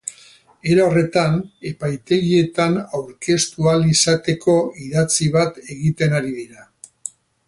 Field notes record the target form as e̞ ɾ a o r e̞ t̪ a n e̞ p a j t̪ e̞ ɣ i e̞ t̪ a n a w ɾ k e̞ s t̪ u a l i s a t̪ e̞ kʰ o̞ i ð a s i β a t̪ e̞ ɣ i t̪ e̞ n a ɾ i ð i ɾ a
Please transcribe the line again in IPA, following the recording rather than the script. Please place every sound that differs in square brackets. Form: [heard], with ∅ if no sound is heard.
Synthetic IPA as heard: e̞ ɾ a o r e̞ t̪ a n e̞ p a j t̪ e̞ ɣ i e̞ t̪ a n a w ɾ k e̞ s t̪ u a l i s a t̪ e̞ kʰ o̞ i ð a [t͡s] i β a t̪ e̞ ɣ i t̪ e̞ n a ɾ i ð i ɾ a